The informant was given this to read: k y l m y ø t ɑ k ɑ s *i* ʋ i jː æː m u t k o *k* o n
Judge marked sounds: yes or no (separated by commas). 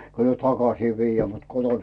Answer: no, no